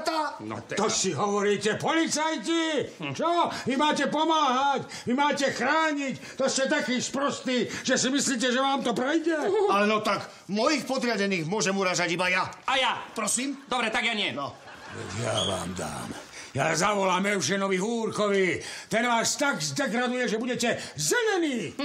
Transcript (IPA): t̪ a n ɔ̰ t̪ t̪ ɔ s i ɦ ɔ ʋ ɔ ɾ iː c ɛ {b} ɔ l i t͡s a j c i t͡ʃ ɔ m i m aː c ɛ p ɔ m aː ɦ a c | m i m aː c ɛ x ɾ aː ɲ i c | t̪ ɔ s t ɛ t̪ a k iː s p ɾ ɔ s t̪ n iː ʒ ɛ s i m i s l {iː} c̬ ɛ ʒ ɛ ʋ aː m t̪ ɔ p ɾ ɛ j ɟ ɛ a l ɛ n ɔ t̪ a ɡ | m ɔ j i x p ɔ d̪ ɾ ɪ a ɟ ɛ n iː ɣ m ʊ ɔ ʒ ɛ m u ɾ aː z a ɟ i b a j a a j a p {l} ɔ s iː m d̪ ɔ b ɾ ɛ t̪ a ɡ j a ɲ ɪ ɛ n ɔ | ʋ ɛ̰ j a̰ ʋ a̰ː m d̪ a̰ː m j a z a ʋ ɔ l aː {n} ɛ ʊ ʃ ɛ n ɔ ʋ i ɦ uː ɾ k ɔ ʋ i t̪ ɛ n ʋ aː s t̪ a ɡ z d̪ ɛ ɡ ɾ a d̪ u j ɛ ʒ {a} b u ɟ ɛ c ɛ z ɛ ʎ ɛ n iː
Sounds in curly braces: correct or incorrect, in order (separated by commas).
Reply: incorrect, correct, incorrect, incorrect, incorrect